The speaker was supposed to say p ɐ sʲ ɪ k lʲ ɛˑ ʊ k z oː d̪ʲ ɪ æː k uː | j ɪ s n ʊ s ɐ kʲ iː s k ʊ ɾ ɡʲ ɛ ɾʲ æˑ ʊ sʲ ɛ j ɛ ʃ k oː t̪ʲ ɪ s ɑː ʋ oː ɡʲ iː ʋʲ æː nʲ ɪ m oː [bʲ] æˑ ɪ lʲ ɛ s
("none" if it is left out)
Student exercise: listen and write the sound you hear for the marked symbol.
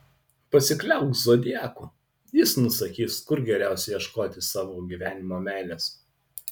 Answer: mʲ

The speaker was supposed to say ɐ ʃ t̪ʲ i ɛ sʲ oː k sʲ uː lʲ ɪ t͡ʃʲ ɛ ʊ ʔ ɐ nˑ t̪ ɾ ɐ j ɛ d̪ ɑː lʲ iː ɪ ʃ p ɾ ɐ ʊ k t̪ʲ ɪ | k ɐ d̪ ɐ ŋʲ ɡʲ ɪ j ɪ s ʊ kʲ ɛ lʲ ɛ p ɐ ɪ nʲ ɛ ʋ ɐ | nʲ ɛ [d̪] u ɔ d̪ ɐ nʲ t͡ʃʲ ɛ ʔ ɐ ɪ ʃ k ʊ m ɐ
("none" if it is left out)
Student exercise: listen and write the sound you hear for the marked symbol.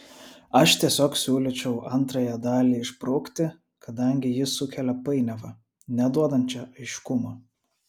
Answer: d̪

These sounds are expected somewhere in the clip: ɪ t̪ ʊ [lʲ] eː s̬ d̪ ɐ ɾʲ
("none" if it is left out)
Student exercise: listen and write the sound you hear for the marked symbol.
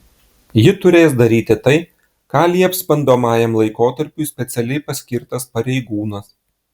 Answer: ɾʲ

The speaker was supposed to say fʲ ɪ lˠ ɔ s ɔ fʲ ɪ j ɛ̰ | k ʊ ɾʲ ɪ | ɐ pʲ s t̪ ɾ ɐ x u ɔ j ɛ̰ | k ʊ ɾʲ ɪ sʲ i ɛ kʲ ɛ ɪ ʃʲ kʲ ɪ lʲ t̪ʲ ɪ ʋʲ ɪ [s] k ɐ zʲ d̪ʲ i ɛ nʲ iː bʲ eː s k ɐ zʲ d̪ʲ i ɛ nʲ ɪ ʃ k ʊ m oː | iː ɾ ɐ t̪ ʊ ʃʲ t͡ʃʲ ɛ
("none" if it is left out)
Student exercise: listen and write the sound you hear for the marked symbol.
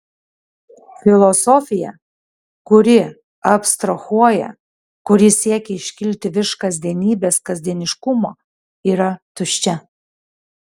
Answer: ʃ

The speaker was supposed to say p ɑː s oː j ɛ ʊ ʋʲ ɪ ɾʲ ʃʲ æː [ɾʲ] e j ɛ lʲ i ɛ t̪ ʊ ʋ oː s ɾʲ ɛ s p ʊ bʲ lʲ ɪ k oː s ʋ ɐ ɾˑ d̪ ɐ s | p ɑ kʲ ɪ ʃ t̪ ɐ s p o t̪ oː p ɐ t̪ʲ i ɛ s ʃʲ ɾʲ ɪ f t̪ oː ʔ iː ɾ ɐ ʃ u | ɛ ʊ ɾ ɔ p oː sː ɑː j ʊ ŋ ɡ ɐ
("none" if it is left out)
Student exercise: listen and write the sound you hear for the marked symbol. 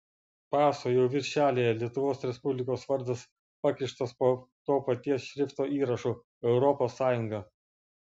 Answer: lʲ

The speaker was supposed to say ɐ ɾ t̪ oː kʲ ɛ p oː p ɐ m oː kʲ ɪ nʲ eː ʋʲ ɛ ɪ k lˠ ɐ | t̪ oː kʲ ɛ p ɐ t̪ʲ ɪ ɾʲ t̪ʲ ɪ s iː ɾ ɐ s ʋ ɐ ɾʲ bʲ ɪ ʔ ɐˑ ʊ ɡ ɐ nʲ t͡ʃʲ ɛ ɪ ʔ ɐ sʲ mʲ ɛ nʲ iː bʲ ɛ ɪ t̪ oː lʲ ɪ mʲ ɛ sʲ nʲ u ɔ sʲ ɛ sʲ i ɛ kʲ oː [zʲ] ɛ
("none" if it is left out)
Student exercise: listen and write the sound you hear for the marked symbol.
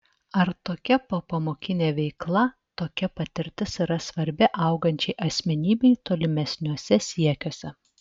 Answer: sʲ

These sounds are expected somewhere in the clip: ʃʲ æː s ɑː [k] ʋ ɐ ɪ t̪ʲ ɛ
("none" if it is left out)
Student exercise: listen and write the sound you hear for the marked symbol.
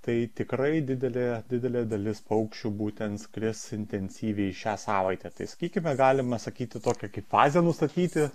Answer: none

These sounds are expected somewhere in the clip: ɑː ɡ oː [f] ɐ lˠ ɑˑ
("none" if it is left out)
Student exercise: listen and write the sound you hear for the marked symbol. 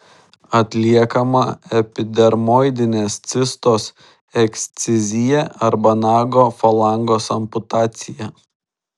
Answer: f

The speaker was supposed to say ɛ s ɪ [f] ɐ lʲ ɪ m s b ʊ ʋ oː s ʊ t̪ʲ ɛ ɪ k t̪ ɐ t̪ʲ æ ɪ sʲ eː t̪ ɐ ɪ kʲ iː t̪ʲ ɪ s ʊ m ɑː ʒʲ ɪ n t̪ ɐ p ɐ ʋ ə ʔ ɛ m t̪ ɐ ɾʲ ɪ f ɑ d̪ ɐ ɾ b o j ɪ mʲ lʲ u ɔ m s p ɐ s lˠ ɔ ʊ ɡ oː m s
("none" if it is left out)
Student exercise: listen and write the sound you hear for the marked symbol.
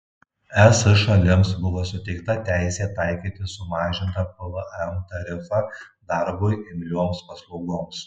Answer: ʃ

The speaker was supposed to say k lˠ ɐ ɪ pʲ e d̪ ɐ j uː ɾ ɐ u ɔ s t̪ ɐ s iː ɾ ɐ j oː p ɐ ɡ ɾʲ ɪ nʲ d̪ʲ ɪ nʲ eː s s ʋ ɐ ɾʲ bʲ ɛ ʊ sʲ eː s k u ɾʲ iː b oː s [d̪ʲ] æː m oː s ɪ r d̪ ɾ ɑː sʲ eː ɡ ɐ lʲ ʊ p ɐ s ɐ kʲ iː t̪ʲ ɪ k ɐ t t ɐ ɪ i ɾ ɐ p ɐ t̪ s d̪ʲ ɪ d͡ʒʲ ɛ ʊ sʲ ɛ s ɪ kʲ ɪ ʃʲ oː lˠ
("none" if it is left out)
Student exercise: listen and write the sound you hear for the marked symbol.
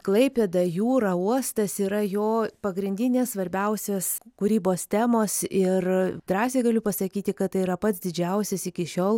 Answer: t̪ʲ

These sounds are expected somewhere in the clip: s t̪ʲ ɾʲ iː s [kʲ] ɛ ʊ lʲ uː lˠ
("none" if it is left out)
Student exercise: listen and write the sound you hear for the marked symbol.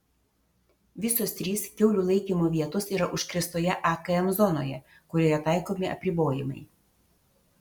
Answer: kʲ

